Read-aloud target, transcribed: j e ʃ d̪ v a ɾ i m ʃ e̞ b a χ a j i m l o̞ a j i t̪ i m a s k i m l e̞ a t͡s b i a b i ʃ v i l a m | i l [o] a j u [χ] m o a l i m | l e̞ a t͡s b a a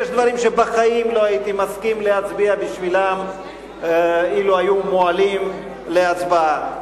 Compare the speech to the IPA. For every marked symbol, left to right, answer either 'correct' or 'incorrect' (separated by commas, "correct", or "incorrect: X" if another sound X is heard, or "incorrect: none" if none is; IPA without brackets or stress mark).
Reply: incorrect: u, incorrect: none